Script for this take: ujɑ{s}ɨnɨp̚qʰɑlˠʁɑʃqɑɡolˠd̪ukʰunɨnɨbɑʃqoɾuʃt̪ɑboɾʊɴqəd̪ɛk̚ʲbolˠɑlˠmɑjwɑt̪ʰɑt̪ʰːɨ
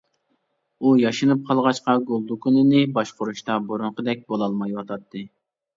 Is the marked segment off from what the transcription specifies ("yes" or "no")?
yes